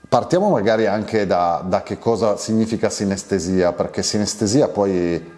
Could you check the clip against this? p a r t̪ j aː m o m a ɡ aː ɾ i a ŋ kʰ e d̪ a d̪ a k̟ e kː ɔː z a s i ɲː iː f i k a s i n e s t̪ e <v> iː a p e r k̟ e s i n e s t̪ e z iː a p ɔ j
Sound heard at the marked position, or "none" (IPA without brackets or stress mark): z